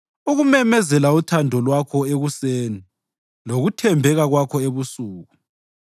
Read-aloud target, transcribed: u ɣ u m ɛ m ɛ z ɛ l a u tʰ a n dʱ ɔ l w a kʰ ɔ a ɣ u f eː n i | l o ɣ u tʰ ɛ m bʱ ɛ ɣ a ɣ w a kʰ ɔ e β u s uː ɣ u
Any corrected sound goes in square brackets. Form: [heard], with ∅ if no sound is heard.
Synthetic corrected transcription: u ɣ u m ɛ m ɛ z ɛ l a u tʰ a n dʱ ɔ l w a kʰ ɔ [e] ɣ u [s] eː n i | l o ɣ u tʰ ɛ m bʱ ɛ ɣ a ɣ w a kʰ ɔ e β u s uː ɣ u